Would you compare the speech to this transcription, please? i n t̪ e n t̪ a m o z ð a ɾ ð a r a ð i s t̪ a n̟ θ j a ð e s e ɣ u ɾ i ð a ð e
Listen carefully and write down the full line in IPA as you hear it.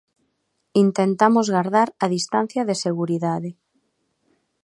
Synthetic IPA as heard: i n t̪ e n t̪ a m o z ɣ a ɾ ð a ɾ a ð i s t̪ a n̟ θ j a ð e s e ɣ u ɾ i ð a ð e